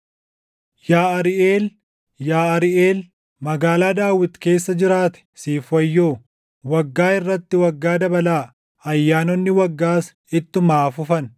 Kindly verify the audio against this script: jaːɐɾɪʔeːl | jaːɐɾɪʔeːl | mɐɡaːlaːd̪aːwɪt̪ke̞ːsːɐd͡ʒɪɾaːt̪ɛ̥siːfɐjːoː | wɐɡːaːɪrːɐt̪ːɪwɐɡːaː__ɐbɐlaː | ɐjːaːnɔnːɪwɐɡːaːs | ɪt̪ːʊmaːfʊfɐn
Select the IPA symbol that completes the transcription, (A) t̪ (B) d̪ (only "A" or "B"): B